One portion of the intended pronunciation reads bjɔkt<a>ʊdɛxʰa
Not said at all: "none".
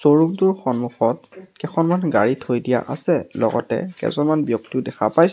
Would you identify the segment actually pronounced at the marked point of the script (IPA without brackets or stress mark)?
i